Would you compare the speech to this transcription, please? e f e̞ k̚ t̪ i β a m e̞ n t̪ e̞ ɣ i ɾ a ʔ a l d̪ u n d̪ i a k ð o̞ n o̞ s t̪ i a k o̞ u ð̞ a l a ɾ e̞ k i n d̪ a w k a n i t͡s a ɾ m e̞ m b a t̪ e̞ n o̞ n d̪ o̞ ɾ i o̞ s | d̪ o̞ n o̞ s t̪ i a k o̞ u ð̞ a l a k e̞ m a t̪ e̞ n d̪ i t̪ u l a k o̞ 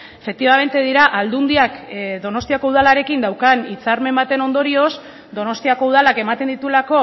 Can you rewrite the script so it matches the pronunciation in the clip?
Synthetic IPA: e f e̞ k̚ t̪ i β a m e̞ n t̪ e̞ ð i ɾ a ʔ a l d̪ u n d̪ i a k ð o̞ n o̞ s t̪ i a k o̞ u ð̞ a l a ɾ e̞ k i n d̪ a w k a n i t͡s a ɾ m e̞ m b a t̪ e̞ n o̞ n d̪ o̞ ɾ i o̞ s | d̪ o̞ n o̞ s t̪ i a k o̞ u ð̞ a l a k e̞ m a t̪ e̞ n d̪ i t̪ u l a k o̞